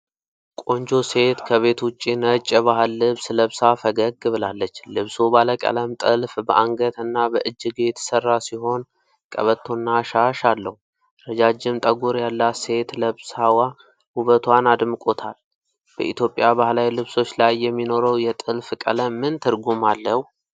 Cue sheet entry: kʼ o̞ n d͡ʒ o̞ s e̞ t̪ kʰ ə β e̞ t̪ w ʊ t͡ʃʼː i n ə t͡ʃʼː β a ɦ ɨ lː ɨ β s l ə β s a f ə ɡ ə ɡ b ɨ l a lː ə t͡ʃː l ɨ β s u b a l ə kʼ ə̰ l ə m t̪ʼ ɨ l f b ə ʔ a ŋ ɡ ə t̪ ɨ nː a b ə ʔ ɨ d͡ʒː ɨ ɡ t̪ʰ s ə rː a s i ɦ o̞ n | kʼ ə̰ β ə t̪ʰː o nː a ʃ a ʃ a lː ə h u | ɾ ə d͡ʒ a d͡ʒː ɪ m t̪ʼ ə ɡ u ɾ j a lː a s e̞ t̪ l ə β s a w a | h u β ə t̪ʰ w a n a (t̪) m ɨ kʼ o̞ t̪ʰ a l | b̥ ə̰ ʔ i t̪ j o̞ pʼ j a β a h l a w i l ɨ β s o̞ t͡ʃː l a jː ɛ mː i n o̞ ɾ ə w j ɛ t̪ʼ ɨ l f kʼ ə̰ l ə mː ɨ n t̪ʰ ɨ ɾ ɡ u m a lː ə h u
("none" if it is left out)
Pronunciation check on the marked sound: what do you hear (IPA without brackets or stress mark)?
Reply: d̪